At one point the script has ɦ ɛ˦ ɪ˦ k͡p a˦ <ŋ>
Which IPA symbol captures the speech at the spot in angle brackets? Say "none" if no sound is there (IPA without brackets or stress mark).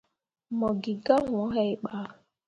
none